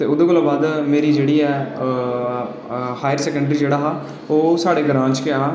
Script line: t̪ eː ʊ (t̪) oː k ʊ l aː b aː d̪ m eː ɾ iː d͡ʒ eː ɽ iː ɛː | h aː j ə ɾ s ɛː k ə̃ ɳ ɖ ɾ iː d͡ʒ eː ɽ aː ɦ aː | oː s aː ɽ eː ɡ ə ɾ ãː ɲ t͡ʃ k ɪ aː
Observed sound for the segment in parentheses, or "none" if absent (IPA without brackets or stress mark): d̪